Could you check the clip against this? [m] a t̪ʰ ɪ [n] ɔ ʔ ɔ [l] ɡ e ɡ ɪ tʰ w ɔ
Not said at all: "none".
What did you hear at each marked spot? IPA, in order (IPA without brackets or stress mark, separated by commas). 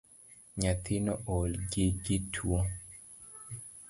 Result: ɲ, n, l